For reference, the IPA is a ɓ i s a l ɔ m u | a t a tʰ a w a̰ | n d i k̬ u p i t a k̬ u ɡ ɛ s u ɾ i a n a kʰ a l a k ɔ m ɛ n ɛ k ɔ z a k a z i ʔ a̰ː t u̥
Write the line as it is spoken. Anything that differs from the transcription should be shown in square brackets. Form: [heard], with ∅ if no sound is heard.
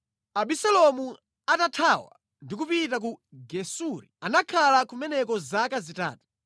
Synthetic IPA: a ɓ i s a l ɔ m u | a t a tʰ a w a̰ | n d i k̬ u p i t a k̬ u ɡ ɛ s u ɾ i a n a kʰ a l a k [u] m ɛ n ɛ k ɔ z a k a z i [t] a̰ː t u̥